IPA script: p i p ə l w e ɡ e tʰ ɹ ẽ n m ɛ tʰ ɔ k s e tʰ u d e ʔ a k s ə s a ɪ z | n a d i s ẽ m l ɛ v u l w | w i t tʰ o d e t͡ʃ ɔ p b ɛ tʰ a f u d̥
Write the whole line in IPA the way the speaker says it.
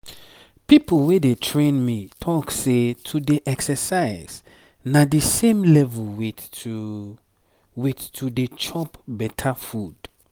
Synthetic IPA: p i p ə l w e d e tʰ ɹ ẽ n m i tʰ ɔ k s e tʰ u d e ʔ ɛ k s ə s a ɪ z | n a d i s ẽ m l ɛ v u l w | w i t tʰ u d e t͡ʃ ɔ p b ɛ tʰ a f u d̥